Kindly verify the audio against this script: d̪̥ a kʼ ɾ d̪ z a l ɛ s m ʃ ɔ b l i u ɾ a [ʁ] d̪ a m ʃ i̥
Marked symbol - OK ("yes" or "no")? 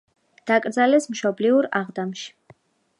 yes